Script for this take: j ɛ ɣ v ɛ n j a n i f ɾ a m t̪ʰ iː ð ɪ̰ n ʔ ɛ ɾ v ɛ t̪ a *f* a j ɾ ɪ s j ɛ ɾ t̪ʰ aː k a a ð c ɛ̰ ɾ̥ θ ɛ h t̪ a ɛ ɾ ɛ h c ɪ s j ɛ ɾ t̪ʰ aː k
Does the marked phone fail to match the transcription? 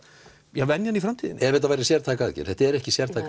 yes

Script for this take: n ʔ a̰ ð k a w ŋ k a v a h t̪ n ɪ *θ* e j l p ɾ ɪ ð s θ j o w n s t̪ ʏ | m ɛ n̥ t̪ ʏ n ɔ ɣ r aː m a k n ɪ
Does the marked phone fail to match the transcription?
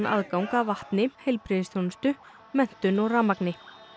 yes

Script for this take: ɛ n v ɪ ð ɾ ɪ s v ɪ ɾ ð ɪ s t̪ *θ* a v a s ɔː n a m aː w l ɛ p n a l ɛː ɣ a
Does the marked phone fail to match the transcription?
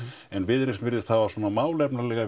yes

